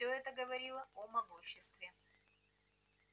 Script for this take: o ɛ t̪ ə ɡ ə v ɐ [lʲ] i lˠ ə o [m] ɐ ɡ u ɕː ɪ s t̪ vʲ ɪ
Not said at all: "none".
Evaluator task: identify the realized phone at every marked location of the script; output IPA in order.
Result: ɾʲ, m

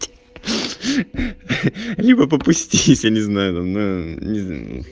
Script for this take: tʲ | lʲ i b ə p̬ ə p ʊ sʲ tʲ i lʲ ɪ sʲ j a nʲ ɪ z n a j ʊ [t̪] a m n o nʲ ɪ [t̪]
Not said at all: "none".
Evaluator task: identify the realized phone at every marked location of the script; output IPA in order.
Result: t̪, none

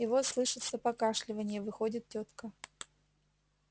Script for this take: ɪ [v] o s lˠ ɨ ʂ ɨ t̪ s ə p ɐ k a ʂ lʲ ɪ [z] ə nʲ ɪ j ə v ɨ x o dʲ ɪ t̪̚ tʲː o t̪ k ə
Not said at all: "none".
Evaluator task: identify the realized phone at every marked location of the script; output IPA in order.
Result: v, v

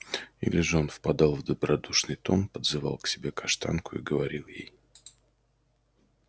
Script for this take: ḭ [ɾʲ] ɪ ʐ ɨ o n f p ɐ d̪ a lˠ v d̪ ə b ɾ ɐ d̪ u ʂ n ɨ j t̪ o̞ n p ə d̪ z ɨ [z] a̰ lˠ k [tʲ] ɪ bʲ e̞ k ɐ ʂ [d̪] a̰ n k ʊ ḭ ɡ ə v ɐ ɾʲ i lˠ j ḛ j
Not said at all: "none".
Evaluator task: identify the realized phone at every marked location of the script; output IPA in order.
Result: lʲ, v, sʲ, t̪

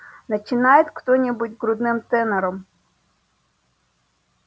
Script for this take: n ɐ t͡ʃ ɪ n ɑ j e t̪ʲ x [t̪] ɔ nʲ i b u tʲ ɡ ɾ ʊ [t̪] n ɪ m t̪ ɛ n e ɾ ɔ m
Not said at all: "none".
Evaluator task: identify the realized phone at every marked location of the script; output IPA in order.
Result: t̪, d̪

